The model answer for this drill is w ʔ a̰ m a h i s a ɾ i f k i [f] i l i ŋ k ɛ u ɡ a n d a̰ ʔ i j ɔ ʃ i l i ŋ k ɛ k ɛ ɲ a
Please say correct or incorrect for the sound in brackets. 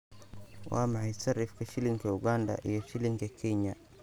incorrect